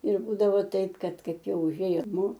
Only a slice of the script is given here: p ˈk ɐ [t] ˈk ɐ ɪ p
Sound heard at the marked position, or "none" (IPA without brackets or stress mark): t